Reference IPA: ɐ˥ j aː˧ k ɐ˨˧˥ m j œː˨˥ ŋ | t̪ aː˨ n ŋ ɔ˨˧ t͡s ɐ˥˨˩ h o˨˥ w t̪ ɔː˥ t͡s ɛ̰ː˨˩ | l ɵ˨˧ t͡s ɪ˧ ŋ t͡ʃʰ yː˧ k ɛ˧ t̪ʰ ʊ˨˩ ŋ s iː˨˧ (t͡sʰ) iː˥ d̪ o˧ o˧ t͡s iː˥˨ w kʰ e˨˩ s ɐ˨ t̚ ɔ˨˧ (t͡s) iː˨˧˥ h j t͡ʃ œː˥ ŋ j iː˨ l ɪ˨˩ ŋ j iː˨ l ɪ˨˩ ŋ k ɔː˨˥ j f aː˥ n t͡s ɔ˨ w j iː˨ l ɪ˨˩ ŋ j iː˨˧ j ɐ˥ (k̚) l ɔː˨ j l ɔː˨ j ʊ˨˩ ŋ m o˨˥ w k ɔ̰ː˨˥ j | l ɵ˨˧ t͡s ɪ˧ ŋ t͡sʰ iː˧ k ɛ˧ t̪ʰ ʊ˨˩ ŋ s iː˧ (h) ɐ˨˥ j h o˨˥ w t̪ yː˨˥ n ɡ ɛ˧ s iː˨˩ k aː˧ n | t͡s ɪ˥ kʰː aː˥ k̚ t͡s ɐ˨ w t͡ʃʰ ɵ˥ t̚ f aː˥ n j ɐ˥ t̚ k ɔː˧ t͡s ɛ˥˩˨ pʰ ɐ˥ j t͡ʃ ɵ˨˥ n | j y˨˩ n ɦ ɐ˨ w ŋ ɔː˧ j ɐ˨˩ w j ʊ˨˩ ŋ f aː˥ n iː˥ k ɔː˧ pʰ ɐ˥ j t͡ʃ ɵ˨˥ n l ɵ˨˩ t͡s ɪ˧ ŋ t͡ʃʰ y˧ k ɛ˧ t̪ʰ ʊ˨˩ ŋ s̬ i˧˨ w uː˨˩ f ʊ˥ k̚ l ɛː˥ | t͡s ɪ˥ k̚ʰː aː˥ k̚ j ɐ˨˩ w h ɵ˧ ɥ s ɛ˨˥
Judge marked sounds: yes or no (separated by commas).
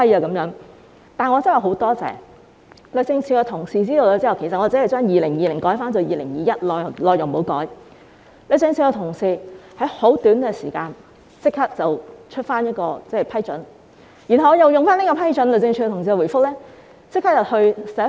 no, yes, no, yes